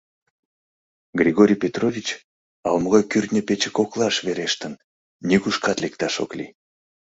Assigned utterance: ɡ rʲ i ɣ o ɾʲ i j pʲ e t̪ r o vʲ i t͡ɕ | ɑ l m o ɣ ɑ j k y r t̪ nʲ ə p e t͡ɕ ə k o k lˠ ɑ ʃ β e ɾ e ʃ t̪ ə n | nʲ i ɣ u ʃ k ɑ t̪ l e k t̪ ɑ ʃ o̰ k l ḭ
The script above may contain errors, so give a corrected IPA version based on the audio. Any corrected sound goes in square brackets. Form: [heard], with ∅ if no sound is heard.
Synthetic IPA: ɡ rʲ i ɣ o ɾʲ i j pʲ e t̪ r o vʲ i t͡ɕ | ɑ l m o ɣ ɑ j k y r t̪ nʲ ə p e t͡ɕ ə k o k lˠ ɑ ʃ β e ɾ e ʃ t̪ ə n | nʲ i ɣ u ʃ k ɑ t̪ l e k t̪ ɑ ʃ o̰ k l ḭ